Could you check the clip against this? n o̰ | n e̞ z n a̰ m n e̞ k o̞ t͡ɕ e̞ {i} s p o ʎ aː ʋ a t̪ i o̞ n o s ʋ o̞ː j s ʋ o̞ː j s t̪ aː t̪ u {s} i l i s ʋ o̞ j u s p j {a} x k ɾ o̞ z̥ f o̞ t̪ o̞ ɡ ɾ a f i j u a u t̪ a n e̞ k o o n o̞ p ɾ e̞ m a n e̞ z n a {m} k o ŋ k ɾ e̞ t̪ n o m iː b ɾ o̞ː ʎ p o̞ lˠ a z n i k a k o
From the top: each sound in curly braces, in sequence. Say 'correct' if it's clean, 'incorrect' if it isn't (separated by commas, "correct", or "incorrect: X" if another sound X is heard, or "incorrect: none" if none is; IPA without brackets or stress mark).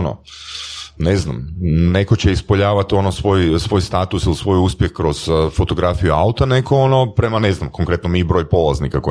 correct, correct, incorrect: e, correct